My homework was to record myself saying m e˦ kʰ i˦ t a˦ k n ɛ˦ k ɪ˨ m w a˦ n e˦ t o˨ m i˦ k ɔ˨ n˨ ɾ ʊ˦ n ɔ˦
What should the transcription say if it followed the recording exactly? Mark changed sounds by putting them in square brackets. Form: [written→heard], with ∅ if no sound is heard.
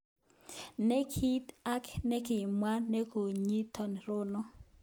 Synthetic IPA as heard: [m→n] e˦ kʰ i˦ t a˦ k n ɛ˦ k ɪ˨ m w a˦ n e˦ [t→k] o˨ [m→ɲ] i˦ [k→t] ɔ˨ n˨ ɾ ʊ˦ n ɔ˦